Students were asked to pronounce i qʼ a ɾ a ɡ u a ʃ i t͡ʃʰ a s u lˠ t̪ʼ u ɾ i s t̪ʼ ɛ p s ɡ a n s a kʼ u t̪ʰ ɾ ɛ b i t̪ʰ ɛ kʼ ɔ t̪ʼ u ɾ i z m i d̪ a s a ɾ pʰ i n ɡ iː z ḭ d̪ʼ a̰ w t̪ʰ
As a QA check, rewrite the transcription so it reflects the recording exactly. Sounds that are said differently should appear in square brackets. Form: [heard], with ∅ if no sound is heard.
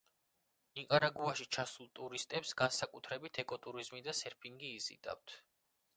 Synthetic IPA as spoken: i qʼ a ɾ a ɡ u a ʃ i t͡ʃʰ a s u lˠ t̪ʼ u ɾ i s t̪ʼ ɛ p s ɡ a n s a kʼ u t̪ʰ ɾ ɛ b i t̪ʰ ɛ kʼ ɔ t̪ʼ u ɾ i z m i d̪ a s [ɛ] ɾ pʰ i [ŋ] ɡ iː z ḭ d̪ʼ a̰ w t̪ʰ